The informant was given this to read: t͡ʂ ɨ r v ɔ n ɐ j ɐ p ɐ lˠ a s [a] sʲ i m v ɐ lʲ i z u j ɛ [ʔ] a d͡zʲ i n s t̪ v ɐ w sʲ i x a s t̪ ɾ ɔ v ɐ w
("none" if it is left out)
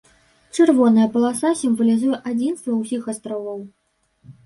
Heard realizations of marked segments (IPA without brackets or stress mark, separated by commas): a, ʔ